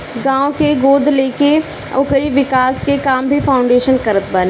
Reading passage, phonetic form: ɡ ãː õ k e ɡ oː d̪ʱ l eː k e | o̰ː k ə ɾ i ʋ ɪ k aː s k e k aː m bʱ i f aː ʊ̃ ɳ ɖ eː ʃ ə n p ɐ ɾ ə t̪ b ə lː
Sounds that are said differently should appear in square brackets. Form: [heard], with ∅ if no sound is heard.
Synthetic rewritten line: ɡ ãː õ k e ɡ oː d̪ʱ l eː k e | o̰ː k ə ɾ i ʋ ɪ k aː s k e k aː m bʱ i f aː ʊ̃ ɳ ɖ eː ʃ ə n [k] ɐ ɾ ə t̪ b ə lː